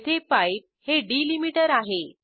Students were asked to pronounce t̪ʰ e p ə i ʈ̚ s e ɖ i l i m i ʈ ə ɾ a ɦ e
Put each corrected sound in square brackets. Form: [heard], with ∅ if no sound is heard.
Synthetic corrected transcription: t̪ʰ e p [a] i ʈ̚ [h] e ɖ i l i m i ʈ ə ɾ a ɦ e